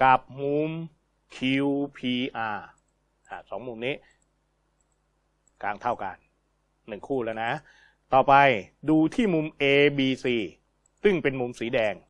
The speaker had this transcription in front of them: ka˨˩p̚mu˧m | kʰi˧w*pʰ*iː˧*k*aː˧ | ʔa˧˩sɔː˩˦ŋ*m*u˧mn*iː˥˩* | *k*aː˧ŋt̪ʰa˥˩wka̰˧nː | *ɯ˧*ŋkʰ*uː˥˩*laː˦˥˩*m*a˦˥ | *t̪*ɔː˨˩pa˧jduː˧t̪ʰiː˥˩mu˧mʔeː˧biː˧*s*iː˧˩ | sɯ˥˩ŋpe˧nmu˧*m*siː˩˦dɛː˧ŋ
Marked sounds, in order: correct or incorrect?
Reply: correct, incorrect, correct, incorrect, correct, incorrect, correct, incorrect, correct, correct, correct

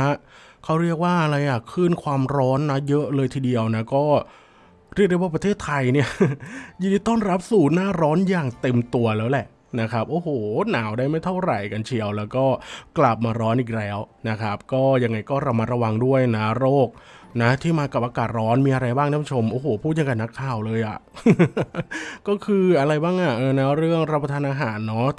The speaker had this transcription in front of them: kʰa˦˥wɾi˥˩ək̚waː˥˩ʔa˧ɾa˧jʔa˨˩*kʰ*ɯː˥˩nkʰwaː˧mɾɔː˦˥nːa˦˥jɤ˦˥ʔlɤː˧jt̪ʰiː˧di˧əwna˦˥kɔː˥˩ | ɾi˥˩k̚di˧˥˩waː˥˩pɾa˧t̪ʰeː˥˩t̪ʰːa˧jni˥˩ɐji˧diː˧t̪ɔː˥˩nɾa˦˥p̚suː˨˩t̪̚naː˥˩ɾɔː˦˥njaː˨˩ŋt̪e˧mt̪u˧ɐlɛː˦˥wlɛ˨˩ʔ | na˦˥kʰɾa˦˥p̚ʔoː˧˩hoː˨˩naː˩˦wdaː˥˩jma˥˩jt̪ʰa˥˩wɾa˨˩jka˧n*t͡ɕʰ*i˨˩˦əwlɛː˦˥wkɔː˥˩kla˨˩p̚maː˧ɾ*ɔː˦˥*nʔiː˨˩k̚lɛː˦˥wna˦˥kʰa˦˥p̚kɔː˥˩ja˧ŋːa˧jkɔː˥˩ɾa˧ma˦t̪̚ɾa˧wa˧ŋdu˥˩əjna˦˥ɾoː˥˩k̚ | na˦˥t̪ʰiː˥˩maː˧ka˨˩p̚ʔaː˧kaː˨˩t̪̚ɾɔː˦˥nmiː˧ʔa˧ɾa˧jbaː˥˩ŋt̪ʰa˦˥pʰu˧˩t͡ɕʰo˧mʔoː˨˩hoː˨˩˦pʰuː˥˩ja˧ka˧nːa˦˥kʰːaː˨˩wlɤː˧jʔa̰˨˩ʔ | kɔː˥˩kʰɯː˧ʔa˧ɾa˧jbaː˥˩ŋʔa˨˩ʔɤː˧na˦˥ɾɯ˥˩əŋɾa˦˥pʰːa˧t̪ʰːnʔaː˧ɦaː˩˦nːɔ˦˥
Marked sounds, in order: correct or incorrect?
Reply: correct, correct, correct

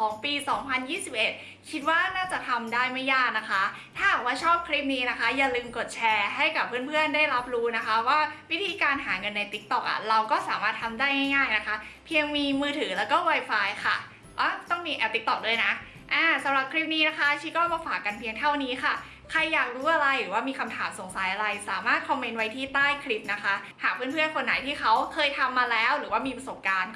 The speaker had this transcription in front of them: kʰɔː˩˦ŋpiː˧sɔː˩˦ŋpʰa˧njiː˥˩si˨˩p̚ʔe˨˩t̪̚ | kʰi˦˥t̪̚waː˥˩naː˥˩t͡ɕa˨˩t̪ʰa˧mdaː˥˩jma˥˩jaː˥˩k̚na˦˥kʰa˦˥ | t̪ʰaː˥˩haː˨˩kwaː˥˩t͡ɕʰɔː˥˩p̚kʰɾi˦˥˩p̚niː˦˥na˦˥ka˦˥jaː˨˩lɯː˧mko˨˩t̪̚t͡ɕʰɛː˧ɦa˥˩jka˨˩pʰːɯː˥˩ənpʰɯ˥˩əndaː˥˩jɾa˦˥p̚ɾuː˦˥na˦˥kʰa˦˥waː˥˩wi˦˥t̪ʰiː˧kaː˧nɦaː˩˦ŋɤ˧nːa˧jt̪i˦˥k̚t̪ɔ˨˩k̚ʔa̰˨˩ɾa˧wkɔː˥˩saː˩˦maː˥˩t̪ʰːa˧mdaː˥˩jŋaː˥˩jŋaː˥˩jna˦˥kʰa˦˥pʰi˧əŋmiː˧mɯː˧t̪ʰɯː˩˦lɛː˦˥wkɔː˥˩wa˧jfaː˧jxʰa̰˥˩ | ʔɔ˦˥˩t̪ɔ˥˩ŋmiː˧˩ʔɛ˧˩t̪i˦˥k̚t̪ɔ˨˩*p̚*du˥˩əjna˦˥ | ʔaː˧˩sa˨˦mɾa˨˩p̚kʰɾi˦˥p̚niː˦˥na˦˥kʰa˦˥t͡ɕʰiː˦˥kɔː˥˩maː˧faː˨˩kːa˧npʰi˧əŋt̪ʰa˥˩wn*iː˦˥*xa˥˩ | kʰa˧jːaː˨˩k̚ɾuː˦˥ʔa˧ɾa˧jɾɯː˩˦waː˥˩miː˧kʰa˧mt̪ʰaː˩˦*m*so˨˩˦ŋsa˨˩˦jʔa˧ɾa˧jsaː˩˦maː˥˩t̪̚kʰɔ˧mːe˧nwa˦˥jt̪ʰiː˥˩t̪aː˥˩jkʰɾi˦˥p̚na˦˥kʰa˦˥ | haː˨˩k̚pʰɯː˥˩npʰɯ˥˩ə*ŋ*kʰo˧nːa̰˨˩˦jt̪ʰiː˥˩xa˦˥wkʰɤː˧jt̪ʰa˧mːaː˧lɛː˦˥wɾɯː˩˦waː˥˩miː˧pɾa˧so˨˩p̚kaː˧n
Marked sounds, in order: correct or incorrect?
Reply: incorrect, correct, correct, incorrect

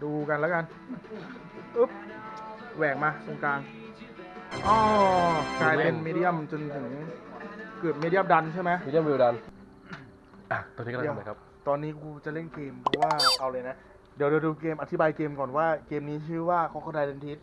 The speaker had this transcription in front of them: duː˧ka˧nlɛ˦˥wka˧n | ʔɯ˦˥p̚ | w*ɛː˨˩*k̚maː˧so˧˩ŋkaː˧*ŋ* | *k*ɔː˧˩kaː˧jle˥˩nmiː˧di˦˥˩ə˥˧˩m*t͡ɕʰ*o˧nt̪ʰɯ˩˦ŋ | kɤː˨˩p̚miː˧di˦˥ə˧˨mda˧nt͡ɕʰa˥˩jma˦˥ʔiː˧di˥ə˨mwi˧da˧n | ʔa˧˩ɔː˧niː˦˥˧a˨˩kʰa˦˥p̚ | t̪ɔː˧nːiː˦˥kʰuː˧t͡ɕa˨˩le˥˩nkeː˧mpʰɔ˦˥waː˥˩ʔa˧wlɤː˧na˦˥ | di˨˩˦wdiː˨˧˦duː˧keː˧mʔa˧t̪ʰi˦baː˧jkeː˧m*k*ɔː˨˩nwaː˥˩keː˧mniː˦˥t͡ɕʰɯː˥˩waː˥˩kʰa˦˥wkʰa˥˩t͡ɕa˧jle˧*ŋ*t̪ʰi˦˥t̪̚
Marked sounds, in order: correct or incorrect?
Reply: correct, correct, incorrect, incorrect, correct, incorrect

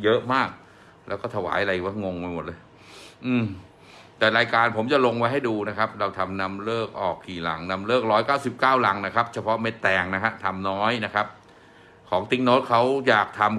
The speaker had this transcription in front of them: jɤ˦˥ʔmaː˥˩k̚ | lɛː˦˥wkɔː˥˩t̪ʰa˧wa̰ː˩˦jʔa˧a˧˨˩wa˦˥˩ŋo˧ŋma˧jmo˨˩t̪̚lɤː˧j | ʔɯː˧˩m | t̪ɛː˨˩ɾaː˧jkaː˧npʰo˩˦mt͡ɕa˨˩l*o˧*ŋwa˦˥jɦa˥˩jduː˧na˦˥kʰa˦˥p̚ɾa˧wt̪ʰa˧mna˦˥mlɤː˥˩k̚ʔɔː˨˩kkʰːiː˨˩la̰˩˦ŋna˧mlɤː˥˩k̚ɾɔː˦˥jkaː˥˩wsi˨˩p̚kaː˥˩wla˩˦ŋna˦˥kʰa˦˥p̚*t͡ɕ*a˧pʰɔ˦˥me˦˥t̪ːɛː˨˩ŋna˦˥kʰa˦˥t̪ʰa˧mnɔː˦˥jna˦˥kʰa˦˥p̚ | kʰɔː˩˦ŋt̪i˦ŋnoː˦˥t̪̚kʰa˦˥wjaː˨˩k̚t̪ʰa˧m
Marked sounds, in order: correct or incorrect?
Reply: correct, incorrect

